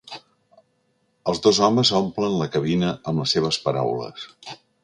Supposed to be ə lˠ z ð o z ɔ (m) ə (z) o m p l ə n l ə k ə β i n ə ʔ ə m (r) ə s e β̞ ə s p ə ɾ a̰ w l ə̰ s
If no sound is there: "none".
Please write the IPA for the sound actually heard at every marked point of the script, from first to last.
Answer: m, z, l

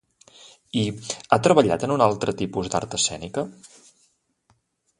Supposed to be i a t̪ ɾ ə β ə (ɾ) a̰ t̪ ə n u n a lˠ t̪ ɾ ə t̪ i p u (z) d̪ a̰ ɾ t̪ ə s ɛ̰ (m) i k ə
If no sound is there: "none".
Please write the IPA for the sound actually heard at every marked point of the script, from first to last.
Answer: ʎ, z, n

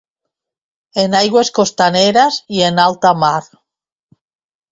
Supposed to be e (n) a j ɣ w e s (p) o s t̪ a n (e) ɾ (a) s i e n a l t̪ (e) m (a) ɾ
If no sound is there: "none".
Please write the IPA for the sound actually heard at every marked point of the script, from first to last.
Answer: n, k, e, a, a, a

